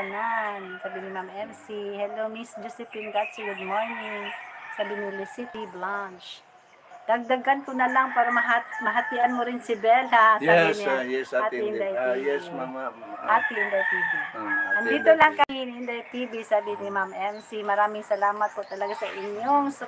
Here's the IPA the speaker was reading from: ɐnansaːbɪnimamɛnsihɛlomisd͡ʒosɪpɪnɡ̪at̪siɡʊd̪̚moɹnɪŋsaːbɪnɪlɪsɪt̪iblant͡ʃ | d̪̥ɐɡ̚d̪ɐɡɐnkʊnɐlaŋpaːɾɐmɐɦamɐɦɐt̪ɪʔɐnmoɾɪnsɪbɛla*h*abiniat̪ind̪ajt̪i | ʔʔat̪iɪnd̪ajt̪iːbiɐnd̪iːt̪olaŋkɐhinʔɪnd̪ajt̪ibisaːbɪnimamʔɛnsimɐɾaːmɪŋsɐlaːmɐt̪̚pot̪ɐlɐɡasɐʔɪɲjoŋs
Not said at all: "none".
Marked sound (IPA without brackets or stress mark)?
s